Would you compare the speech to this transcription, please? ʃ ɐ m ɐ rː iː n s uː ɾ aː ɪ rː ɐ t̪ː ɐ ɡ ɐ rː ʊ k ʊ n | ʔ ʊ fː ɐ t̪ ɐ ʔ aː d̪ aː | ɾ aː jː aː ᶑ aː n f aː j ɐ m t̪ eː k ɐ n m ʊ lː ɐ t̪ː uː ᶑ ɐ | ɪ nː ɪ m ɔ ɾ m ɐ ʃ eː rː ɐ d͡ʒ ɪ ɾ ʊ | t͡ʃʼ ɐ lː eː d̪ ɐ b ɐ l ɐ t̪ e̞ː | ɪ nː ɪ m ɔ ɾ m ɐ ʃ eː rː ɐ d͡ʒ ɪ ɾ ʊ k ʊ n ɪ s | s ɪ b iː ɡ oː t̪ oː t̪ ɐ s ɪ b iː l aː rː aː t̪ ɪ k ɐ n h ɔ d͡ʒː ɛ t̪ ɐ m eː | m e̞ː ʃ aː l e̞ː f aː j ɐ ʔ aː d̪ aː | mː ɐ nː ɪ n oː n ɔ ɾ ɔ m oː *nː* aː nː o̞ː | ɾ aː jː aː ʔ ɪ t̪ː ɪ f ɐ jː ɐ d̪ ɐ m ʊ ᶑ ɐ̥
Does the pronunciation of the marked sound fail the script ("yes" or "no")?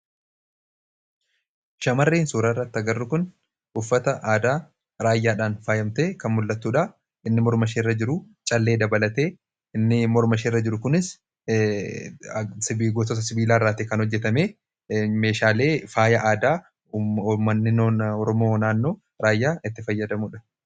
yes